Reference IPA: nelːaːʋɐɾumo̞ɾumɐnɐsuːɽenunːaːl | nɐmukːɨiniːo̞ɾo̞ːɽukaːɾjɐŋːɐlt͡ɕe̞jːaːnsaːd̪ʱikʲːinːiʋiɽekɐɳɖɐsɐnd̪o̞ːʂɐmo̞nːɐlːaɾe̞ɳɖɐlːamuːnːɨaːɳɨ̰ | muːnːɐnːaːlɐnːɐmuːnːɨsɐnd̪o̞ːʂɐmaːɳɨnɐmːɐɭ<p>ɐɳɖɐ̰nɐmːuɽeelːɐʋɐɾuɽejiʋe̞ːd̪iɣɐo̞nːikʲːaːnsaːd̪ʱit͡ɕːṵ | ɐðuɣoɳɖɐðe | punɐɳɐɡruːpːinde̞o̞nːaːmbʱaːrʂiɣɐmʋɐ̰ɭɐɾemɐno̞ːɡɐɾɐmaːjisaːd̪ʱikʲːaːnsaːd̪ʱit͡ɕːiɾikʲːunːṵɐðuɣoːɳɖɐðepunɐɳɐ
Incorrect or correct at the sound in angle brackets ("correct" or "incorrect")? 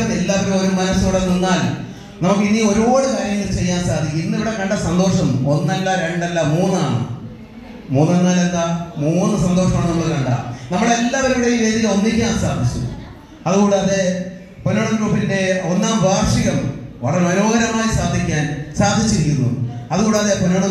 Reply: incorrect